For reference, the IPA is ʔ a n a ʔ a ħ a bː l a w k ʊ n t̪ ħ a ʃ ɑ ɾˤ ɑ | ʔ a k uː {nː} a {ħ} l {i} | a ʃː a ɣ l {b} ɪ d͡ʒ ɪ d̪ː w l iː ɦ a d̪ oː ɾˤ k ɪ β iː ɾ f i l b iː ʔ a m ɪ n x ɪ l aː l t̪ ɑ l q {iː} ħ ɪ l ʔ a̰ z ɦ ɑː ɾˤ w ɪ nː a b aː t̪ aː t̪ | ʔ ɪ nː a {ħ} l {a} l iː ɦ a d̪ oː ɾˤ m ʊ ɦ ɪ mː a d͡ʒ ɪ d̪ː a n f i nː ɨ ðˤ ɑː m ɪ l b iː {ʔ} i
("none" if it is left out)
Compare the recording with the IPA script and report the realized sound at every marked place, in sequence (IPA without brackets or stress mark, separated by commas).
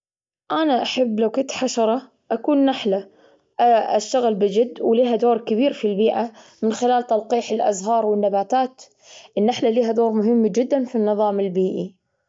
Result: nː, ħ, a, b, iː, ħ, a, ʔ